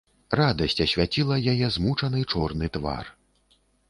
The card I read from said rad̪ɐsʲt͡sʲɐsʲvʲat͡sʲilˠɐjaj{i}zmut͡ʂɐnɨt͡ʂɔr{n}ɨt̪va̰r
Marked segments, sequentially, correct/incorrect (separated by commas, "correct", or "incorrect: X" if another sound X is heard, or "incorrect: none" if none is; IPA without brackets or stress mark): incorrect: ɛ, correct